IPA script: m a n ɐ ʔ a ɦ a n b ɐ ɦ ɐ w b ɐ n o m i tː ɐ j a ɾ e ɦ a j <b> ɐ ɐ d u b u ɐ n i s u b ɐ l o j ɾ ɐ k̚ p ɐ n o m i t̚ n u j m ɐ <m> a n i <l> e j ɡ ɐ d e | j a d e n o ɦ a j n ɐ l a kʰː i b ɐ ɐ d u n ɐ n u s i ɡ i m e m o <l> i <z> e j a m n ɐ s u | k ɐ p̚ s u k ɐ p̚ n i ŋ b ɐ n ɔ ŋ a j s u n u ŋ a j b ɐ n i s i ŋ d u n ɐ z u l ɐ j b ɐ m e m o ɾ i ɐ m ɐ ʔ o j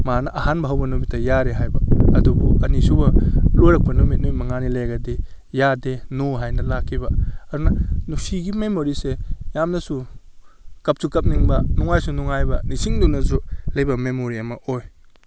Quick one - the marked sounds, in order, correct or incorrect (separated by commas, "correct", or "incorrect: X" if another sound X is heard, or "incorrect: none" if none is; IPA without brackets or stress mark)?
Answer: correct, incorrect: ŋ, correct, incorrect: ɾ, incorrect: s